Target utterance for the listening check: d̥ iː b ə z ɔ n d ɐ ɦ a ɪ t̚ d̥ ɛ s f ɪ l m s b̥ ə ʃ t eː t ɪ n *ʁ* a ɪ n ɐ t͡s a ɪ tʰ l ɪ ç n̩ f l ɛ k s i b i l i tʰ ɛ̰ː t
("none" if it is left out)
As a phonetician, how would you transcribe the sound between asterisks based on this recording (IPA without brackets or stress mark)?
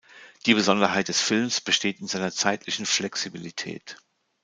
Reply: z